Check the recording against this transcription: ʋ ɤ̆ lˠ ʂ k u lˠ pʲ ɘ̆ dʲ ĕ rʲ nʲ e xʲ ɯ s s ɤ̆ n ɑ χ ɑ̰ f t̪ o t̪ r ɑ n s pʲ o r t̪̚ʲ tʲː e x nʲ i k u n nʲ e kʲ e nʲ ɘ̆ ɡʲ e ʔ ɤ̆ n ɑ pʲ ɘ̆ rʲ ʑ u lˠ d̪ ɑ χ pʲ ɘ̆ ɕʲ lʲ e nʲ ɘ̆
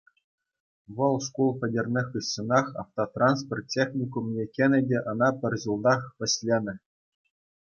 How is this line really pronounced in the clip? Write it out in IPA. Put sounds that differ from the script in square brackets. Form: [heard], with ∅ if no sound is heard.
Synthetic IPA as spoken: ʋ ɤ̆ lˠ ʂ k u lˠ pʲ ɘ̆ dʲ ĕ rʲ nʲ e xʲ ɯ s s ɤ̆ n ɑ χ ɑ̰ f t̪ o t̪ r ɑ n s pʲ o r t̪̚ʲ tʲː e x nʲ i k u [m] nʲ e kʲ e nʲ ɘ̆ [dʲ] e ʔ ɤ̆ n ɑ pʲ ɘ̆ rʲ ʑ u lˠ d̪ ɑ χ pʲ ɘ̆ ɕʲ lʲ e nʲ ɘ̆